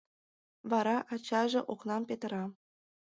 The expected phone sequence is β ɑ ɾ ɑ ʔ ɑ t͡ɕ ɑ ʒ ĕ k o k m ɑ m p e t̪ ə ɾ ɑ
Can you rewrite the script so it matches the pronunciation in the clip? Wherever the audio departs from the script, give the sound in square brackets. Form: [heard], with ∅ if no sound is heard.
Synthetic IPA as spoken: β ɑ ɾ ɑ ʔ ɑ t͡ɕ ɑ ʒ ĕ [ʔ] o k [n] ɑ m p e t̪ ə ɾ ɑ